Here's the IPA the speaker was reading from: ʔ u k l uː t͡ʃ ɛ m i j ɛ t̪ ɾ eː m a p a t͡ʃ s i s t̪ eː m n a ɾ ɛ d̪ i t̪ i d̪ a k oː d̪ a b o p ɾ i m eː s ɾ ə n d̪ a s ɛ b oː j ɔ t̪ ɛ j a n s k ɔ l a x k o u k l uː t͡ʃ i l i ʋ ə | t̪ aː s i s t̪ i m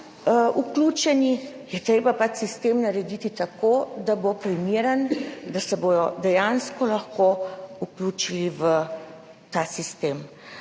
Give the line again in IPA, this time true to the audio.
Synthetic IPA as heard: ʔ u k l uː t͡ʃ ɛ n i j ɛ t̪ ɾ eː b a p a t͡ʃ s i s t̪ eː m n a ɾ ɛ d̪ i t̪ i t̪ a k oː d̪ a b o p ɾ i m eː ɾ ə n d̪ a s ɛ b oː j ɔ d̪ ɛ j a n s k ɔ l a x k o u k l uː t͡ʃ i l i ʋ ə | t̪ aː s i s t̪ e m